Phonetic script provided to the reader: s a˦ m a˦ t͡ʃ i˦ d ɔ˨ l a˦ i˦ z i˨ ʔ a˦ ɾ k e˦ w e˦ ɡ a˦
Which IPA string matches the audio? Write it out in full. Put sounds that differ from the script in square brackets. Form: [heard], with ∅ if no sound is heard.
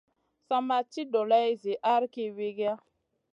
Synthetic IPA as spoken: s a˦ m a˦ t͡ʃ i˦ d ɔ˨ l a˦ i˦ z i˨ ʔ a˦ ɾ k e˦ w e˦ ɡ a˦